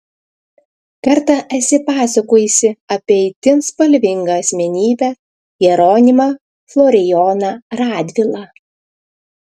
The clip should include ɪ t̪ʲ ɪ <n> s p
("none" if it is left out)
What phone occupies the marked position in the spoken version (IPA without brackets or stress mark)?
n